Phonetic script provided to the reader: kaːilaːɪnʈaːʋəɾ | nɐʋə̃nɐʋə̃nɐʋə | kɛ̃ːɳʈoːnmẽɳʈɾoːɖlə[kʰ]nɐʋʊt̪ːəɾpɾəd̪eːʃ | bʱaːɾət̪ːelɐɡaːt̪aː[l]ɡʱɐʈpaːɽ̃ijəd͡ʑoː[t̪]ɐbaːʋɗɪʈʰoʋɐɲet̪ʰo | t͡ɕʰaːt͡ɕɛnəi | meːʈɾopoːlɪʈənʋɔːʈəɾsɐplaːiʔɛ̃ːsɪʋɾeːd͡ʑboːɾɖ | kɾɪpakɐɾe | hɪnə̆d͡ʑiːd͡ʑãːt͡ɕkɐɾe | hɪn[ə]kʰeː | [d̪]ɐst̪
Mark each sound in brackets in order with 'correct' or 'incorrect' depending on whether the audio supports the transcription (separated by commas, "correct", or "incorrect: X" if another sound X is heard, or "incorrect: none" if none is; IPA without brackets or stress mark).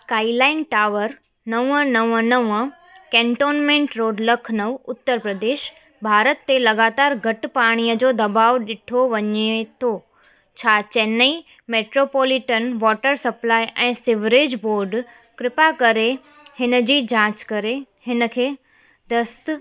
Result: correct, incorrect: ɾ, incorrect: d̪, correct, correct